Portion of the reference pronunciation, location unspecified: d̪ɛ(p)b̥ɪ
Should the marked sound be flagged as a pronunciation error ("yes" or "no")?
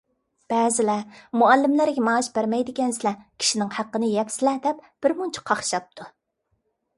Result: no